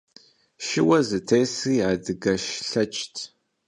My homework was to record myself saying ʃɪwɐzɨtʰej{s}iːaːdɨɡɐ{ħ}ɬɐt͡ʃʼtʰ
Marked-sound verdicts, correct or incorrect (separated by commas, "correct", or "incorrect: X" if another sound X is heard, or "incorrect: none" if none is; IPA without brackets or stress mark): correct, incorrect: ʃ